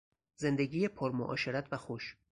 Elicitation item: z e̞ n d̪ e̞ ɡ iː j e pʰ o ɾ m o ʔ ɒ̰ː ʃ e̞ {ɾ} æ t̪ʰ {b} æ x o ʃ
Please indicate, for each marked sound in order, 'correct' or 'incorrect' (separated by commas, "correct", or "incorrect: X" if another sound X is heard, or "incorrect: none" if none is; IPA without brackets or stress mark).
correct, incorrect: v